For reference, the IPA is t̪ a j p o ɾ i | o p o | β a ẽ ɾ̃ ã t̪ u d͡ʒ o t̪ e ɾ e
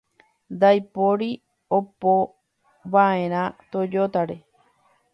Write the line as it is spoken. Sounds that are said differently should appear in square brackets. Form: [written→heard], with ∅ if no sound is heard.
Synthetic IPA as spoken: [t̪→d̪] a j p o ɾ i | o p o | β a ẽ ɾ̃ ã t̪ [u→o] d͡ʒ o t̪ [e→a] ɾ e